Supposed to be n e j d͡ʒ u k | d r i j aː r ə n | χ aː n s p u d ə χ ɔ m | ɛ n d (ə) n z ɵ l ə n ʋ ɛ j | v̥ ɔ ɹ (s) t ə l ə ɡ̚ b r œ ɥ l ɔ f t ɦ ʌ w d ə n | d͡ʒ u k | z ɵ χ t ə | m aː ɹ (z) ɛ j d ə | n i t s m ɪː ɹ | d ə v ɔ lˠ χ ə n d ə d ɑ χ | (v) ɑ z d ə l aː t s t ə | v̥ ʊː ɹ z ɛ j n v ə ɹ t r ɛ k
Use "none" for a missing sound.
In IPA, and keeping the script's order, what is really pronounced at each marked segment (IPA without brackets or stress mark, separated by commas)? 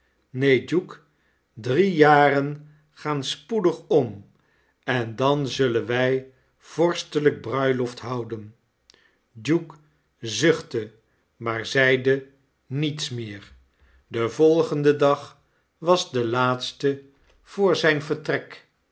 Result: ɑ, s, z, ʋ